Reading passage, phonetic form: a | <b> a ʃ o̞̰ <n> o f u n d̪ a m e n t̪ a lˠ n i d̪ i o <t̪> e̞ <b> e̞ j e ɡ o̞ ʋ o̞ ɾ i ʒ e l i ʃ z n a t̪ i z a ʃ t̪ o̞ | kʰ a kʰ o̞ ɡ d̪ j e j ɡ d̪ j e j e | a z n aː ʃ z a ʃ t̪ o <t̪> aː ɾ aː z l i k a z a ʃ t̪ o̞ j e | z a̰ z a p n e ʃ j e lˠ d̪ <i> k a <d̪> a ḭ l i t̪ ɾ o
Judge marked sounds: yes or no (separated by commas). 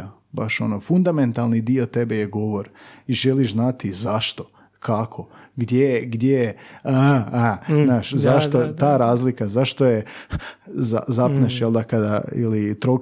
yes, yes, yes, yes, yes, no, yes